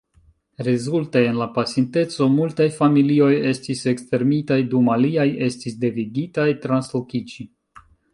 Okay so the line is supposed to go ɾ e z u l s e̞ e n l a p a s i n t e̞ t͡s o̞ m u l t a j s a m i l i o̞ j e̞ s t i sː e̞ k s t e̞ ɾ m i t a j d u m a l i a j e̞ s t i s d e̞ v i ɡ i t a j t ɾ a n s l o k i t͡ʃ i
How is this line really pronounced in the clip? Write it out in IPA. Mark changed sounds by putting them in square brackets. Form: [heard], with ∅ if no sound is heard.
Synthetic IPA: ɾ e z u l [t] e̞ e n l a p a s i n t e̞ t͡s o̞ m u l t a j [f] a m i l i o̞ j e̞ s t i [s] e̞ k s t e̞ ɾ m i t a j d u m a l i a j e̞ s t i s d e̞ v i ɡ i t a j t ɾ a n s l o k i t͡ʃ i

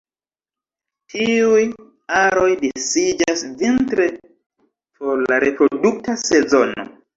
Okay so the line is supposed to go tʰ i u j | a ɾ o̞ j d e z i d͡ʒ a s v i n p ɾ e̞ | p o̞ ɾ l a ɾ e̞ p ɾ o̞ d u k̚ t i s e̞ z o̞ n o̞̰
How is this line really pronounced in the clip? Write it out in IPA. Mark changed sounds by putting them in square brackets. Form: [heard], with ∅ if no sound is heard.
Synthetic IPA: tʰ i u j | a ɾ o̞ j d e [s] i d͡ʒ a s v i n [t] ɾ e̞ | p o̞ ɾ l a ɾ e̞ p ɾ o̞ d u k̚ t [a] s e̞ z o̞ n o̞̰

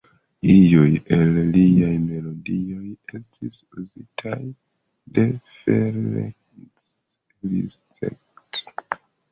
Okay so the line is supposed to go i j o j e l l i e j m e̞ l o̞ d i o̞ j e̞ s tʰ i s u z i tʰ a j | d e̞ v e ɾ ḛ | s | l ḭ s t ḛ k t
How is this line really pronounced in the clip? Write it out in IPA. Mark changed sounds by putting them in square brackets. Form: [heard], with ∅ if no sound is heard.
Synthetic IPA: i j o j e l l i [a] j m e̞ l o̞ d i o̞ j e̞ s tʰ i s u z i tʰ a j | d e̞ [f] e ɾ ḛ | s | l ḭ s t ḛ k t

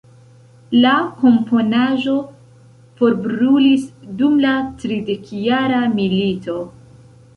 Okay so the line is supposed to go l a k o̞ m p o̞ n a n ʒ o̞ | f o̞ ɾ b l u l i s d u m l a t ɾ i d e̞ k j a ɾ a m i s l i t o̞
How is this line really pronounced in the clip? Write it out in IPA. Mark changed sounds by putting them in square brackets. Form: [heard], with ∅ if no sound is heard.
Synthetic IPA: l a k o̞ m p o̞ n a [∅] ʒ o̞ | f o̞ ɾ b [ɾ] u l i s d u m l a t ɾ i d e̞ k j a ɾ a m i [∅] l i t o̞

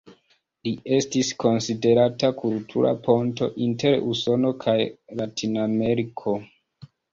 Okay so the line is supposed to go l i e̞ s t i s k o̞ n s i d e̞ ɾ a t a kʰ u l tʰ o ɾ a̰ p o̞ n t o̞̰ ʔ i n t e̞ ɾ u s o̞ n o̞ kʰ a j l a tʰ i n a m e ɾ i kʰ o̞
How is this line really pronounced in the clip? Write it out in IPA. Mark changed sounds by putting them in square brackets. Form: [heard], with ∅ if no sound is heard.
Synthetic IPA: l i e̞ s t i s k o̞ n s i d e̞ ɾ a t a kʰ u l tʰ [u] ɾ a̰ p o̞ n t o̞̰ ʔ i n t e̞ ɾ u s o̞ n o̞ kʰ a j l a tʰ i n a m e ɾ i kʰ o̞

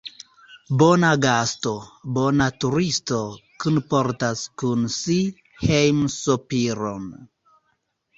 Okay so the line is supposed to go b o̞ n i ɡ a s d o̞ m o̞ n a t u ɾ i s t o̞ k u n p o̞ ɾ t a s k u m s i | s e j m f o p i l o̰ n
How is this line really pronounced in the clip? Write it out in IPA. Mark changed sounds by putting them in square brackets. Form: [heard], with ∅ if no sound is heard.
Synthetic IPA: b o̞ n [a] ɡ a s [t] o̞ [b] o̞ n a t u ɾ i s t o̞ k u n p o̞ ɾ t a s k u [n] s i | [h] e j m [s] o p i [ɾ] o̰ n

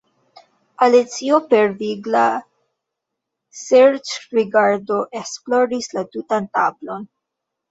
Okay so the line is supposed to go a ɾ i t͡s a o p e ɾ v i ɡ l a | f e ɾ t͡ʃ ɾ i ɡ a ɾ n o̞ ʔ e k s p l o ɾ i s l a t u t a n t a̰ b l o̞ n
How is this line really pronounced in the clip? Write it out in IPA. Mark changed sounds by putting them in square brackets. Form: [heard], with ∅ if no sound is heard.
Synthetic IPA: a [l] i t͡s [i] o p e ɾ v i ɡ l a | [s] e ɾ t͡ʃ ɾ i ɡ a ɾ [d] o̞ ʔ e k s p l o ɾ i s l a t u t a n t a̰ b l o̞ n

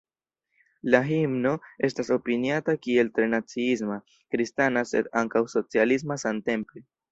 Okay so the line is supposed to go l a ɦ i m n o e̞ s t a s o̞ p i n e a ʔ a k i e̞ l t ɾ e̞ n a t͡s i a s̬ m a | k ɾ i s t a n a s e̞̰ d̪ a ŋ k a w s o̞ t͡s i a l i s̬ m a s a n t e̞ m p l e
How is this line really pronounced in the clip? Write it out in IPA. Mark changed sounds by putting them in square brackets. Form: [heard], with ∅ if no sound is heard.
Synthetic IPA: l a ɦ i m n o e̞ s t a s o̞ p i n [i] a [t] a k i e̞ l t ɾ e̞ n a t͡s i [i] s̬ m a | k ɾ i s t a n a s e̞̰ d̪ a ŋ k a w s o̞ t͡s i a l i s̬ m a s a n t e̞ m p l e

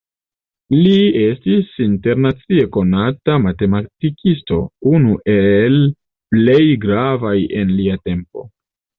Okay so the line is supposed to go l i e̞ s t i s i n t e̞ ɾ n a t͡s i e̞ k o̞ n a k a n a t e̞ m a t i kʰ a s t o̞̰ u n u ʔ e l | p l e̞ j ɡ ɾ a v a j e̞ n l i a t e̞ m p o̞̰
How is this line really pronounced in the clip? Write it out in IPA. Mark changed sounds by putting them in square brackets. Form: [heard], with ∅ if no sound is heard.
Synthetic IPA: l i e̞ s t i s i n t e̞ ɾ n a t͡s i e̞ k o̞ n a [t] a [m] a t e̞ m a t i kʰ [i] s t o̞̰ u n u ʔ e l | p l e̞ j ɡ ɾ a v a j e̞ n l i a t e̞ m p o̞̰

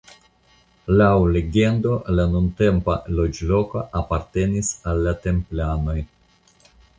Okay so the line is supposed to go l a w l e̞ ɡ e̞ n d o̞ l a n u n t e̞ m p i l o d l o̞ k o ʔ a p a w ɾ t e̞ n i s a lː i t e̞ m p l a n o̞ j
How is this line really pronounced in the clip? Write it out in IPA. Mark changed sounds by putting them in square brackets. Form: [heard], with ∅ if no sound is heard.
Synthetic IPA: l a w l e̞ ɡ e̞ n d o̞ l a n u n t e̞ m p [a] l o [d͡ʒ] l o̞ k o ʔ a p a [∅] ɾ t e̞ n i s a lː [a] t e̞ m p l a n o̞ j

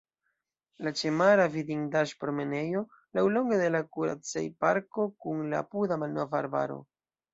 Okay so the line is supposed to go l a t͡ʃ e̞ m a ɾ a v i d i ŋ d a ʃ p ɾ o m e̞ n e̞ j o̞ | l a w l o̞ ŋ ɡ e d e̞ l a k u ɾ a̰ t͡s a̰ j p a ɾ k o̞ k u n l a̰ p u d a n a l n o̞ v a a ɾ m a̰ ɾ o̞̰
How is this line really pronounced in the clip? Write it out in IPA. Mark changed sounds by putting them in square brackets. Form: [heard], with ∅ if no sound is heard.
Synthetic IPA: l a t͡ʃ e̞ m a ɾ a v i d i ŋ d a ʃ p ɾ o m e̞ n e̞ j o̞ | l a w l o̞ ŋ ɡ e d e̞ l a k u ɾ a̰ t͡s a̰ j p a ɾ k o̞ k u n l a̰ p u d a [m] a l n o̞ v a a ɾ [b] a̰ ɾ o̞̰

